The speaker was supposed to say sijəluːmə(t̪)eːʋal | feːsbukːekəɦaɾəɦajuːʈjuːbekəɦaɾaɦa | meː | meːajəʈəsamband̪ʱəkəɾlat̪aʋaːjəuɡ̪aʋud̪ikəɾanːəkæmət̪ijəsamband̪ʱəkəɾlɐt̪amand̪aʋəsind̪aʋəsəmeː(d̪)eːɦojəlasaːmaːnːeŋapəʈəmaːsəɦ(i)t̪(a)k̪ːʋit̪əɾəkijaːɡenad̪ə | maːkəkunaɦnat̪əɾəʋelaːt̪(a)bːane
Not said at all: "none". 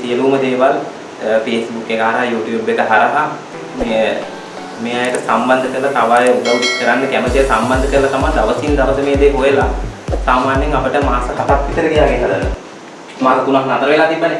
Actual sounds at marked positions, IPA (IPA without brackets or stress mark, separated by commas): d̪, d̪, a, a, i